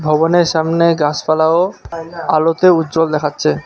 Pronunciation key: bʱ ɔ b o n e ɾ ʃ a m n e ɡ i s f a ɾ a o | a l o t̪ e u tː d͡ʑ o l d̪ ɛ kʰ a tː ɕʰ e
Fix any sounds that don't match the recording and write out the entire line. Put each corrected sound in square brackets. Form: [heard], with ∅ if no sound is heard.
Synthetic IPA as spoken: bʱ ɔ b o n e ɾ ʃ a m n e ɡ [a] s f a [l] a o | a l o t̪ e u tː d͡ʑ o l d̪ ɛ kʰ a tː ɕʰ e